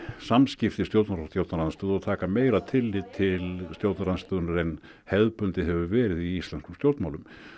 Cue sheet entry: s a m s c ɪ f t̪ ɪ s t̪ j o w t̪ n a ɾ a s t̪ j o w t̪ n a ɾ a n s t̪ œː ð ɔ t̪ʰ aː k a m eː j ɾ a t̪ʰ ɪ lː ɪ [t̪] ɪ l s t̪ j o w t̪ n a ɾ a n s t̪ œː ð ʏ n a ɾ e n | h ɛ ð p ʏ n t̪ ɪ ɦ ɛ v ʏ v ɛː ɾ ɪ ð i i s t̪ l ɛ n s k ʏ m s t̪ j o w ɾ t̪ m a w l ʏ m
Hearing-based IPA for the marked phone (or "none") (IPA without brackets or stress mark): t̪ʰ